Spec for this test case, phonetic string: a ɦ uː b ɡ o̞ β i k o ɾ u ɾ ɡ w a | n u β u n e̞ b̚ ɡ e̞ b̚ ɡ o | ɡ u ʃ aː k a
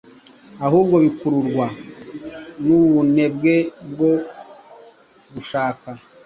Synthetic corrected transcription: a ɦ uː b ɡ o̞ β i k u ɾ u ɾ ɡ w a | n u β u n e̞ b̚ ɡ e̞ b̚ ɡ o | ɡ u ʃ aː k a